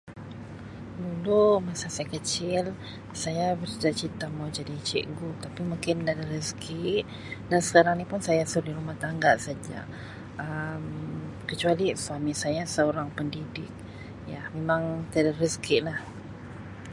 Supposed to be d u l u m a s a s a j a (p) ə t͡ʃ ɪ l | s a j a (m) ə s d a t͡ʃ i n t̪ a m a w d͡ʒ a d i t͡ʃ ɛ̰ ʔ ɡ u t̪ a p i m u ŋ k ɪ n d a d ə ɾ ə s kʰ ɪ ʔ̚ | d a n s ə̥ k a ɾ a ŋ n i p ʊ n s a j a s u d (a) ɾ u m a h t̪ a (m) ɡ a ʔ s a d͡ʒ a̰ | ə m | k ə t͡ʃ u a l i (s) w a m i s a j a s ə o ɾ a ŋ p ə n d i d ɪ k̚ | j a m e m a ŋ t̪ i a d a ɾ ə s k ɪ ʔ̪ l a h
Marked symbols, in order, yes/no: no, no, no, no, yes

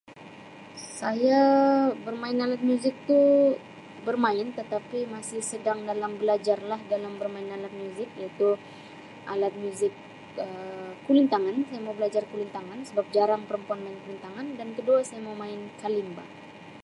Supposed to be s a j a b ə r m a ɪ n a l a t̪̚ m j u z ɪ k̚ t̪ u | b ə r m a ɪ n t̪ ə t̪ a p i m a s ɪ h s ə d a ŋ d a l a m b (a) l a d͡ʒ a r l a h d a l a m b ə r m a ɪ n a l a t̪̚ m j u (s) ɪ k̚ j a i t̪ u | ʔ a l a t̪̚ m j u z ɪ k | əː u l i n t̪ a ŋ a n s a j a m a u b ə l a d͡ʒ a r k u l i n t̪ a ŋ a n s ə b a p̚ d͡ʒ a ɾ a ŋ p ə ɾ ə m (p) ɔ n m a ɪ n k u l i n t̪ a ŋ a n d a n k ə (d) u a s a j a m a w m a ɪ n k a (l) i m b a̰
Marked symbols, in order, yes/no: no, no, yes, yes, yes

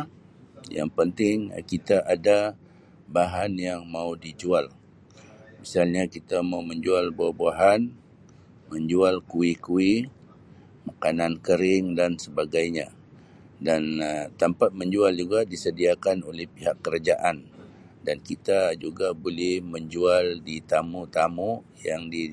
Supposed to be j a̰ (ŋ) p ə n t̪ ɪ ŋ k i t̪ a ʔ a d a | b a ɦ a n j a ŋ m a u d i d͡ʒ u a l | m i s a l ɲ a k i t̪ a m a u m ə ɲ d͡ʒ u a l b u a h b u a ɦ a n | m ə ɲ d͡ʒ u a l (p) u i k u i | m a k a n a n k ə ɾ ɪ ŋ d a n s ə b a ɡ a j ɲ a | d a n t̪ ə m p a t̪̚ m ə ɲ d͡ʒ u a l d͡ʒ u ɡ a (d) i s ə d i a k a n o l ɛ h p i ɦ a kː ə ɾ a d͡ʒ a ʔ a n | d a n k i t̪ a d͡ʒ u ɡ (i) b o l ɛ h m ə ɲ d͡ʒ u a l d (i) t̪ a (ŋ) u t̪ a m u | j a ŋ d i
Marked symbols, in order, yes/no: yes, no, yes, no, yes, no

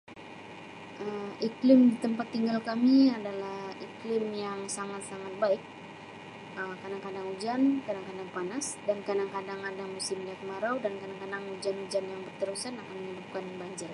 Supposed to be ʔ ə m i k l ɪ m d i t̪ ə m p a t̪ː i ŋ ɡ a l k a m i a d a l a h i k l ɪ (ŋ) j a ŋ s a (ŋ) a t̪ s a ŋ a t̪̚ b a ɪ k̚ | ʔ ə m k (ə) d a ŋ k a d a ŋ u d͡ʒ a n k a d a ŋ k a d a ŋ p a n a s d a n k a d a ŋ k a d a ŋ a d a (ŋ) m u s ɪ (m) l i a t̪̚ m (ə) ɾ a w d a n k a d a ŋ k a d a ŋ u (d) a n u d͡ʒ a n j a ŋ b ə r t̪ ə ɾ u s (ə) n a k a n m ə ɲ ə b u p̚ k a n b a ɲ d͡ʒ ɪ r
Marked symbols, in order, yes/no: no, yes, no, yes, yes, no, no, no

